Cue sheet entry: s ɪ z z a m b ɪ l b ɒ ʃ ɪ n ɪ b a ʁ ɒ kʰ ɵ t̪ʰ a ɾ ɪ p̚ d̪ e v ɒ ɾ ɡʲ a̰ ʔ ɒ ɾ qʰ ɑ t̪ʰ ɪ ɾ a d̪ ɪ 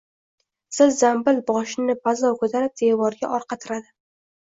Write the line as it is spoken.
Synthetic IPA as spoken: s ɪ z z a m b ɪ l b ɒ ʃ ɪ n ɪ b a z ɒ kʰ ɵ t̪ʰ a ɾ ɪ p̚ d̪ e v ɒ ɾ ɡʲ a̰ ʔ ɒ ɾ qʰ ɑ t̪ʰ ɪ ɾ a d̪ ɪ

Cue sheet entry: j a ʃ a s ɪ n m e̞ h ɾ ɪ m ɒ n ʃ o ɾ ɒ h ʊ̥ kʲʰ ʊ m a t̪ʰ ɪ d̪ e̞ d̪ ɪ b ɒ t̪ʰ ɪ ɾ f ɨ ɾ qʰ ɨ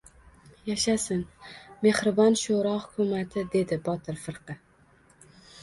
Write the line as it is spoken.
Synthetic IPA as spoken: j a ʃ a s ɪ n m e̞ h ɾ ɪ b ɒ n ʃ o ɾ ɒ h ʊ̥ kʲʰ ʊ m a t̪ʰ ɪ d̪ e̞ d̪ ɪ b ɒ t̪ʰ ɪ ɾ f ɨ ɾ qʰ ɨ

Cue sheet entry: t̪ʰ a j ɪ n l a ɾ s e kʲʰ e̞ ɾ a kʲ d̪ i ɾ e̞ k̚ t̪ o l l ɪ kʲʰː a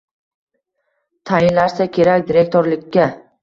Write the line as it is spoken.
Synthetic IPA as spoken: t̪ʰ a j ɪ n l a ɾ s a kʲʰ e̞ ɾ a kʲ d̪ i ɾ e̞ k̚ t̪ o ɾ l ɪ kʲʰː a

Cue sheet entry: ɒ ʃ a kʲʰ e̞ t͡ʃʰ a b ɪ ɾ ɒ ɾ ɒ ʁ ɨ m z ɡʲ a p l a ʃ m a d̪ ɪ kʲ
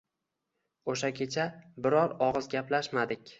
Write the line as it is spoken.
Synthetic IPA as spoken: o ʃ a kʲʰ e̞ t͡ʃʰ a b ɪ ɾ ɒ ɾ ɒ ʁ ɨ z ɡʲ a p l a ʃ m a d̪ ɪ kʲ

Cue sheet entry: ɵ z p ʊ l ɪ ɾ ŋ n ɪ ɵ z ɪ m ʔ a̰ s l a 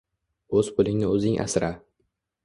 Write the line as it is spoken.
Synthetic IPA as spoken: ɵ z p ʊ l ɪ ŋ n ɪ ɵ z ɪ ŋ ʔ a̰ s ɾ a

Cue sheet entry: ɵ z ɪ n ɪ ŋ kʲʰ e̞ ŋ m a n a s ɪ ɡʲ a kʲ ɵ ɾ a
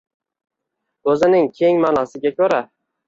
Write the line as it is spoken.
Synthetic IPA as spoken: ɵ z ɪ n ɪ ŋ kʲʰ e̞ ŋ m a n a s ɪ ɡʲ a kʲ ɵ ɾ a

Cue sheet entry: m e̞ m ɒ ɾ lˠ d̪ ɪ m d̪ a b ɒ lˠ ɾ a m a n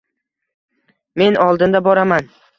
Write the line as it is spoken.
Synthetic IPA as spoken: m e̞ n ɒ lˠ d̪ ɪ n d̪ a b ɒ ɾ a m a n

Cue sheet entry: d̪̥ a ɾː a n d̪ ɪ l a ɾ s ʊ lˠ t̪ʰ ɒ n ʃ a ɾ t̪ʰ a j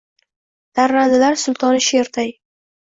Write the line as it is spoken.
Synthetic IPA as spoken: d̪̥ a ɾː a n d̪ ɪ l a ɾ s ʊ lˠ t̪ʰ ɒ n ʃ e ɾ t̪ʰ a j

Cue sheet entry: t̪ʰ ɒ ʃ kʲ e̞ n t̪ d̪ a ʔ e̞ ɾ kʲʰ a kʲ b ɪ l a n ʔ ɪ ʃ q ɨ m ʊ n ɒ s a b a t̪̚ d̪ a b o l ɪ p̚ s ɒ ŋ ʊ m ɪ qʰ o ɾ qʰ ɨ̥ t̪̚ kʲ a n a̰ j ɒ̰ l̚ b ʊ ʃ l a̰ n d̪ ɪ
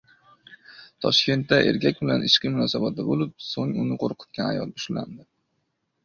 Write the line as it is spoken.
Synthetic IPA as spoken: t̪ʰ ɒ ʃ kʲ e̞ n t̪ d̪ a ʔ e̞ ɾ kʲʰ a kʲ b ɪ l a n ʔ ɪ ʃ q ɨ m ʊ n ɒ s a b a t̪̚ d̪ a b o l ɪ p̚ s o ŋ ʊ n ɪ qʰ o ɾ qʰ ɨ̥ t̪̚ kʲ a n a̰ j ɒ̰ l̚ b ʊ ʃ l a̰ n d̪ ɪ

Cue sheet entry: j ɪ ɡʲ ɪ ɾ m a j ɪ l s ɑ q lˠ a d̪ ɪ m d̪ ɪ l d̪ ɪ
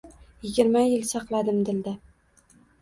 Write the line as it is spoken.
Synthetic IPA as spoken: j ɪ ɡʲ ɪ ɾ m a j ɪ l s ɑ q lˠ a d̪ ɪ m d̪ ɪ l d̪ ɪ

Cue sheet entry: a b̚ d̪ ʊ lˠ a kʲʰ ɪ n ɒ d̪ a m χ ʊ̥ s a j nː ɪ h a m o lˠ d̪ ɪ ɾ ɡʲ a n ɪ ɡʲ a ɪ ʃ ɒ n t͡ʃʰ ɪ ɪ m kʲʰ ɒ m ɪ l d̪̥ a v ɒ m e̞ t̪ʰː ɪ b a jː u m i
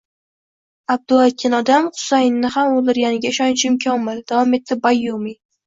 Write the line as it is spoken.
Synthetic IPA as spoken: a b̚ d̪ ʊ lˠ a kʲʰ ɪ n ɒ d̪ a m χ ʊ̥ s a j nː ɪ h a m o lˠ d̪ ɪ ɾ ɡʲ a n ɪ ɡʲ a ɪ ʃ ɒ n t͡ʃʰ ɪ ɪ m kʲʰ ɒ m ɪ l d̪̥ a v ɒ m e̞ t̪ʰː ɪ b a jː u m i

